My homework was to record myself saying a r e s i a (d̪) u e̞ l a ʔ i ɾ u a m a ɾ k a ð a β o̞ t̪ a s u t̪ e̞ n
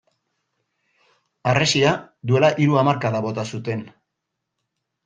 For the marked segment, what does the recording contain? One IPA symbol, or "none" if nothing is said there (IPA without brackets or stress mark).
d̪